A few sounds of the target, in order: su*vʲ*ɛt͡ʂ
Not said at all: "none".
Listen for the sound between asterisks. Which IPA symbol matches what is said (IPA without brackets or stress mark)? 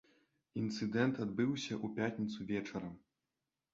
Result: vʲ